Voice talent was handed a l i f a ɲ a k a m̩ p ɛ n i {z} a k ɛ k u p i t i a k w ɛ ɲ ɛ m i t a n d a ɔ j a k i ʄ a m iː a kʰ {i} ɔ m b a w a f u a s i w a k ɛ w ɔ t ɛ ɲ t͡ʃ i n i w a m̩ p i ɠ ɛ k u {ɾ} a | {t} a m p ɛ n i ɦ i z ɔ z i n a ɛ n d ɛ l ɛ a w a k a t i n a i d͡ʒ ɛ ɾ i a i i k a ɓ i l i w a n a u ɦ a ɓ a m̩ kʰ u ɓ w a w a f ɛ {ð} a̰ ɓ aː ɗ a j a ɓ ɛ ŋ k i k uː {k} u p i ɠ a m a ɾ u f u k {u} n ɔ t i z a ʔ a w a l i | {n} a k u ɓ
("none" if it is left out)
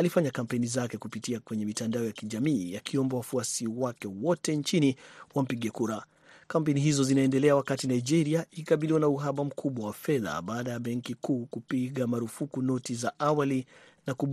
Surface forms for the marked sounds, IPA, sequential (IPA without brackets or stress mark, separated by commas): z, i, ɾ, k, ð, k, u, n